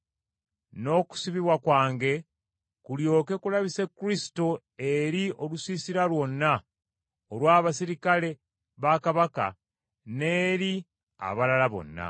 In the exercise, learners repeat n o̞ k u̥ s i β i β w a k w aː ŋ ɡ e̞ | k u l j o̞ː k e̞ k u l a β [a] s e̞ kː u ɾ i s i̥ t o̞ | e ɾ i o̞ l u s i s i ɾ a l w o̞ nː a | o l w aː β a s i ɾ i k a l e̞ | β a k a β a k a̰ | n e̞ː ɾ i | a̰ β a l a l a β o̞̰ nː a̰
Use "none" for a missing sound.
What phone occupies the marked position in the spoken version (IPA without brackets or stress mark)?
i